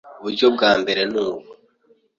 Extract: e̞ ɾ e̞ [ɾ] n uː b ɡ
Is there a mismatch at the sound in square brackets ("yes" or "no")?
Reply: yes